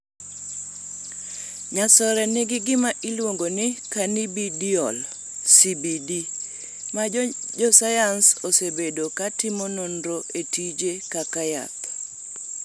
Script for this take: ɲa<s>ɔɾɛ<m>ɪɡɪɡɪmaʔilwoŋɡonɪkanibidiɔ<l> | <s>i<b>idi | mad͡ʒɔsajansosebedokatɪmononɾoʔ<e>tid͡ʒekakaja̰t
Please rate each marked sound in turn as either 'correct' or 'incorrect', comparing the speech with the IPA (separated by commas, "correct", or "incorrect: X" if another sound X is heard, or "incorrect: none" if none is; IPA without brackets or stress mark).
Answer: correct, incorrect: n, correct, correct, correct, correct